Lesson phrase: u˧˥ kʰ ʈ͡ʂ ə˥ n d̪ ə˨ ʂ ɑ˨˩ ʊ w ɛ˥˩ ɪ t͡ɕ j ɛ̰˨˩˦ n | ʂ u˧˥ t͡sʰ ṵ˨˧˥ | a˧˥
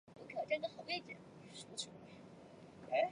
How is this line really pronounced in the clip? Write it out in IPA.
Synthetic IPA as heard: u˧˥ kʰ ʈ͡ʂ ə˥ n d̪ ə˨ x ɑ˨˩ ʊ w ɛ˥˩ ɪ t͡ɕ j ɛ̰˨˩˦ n | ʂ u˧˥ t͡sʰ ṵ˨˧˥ | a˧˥